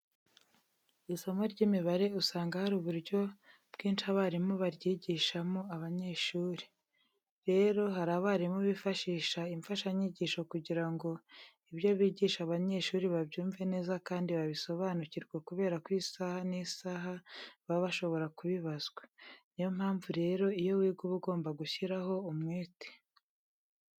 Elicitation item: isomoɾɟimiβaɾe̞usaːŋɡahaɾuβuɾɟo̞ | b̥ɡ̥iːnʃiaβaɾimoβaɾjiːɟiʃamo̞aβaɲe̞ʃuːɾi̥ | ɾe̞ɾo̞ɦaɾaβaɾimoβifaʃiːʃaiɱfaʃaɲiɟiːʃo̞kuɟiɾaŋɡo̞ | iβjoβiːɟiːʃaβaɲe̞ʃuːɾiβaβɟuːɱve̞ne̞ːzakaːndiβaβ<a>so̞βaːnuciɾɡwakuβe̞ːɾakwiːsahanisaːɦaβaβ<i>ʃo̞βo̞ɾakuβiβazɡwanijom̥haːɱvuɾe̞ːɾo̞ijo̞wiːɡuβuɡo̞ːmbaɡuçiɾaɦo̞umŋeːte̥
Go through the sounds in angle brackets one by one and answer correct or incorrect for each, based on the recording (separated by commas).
incorrect, incorrect